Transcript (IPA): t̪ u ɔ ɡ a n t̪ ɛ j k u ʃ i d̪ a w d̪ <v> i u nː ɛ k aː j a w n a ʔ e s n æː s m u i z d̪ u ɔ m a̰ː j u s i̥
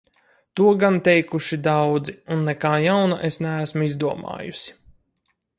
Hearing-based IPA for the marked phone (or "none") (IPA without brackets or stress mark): z